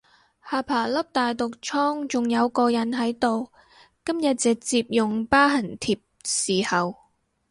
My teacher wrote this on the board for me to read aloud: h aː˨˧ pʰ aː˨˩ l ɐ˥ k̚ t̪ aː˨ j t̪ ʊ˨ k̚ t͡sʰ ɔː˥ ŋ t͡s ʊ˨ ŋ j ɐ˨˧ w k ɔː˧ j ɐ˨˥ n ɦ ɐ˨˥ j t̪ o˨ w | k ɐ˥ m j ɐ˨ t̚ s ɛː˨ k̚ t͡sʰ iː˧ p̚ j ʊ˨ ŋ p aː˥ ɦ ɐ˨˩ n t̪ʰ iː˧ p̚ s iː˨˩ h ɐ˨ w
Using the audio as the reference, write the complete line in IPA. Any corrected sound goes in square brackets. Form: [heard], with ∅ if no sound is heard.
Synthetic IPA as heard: h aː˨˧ pʰ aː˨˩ l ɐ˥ [p̚] t̪ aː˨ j t̪ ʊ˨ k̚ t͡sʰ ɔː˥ ŋ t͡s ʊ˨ ŋ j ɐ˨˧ w k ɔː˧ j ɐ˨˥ n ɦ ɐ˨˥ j t̪ o˨ w | k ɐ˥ m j ɐ˨ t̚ [t͡s] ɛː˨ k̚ [t͡s] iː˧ p̚ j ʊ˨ ŋ p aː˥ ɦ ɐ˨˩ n t̪ʰ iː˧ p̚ s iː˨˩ h ɐ˨ w